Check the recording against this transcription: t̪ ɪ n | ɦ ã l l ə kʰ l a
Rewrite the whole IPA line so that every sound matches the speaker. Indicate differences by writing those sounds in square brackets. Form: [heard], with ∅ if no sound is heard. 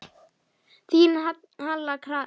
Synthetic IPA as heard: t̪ [i] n | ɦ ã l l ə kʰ [ɾ] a